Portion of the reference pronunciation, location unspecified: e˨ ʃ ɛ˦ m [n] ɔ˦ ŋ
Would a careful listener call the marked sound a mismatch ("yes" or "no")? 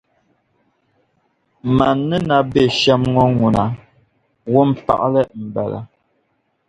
yes